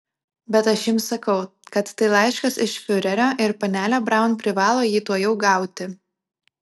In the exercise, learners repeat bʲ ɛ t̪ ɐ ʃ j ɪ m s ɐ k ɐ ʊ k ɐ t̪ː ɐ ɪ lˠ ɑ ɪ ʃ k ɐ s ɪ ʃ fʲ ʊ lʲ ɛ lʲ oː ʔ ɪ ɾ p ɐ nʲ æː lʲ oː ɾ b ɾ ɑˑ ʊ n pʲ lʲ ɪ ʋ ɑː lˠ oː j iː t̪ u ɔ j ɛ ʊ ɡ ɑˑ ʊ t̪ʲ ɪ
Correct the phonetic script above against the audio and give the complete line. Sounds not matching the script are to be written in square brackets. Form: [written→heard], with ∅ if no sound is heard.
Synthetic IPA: bʲ ɛ t̪ ɐ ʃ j ɪ m s ɐ k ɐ ʊ k ɐ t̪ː ɐ ɪ lˠ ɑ ɪ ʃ k ɐ s ɪ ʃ fʲ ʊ [lʲ→ɾʲ] ɛ [lʲ→ɾʲ] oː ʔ ɪ ɾ p ɐ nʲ æː lʲ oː [ɾ→∅] b ɾ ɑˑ ʊ n pʲ [lʲ→ɾʲ] ɪ ʋ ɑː lˠ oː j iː t̪ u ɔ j ɛ ʊ ɡ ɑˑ ʊ t̪ʲ ɪ